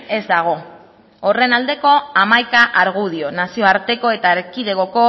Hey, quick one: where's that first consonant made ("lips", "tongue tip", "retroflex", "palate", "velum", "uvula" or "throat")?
tongue tip